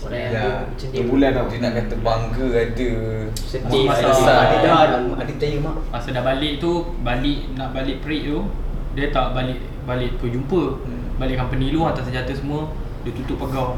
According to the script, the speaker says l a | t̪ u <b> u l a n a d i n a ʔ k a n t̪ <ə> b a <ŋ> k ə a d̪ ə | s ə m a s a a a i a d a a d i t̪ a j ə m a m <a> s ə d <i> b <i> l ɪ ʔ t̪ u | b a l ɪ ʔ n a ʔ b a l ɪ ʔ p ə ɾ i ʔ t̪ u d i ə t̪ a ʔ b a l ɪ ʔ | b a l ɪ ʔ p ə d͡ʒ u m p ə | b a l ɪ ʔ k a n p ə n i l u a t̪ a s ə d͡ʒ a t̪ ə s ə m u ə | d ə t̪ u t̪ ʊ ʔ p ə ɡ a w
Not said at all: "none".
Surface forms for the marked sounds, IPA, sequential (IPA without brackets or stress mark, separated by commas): b, ə, ŋ, a, a, a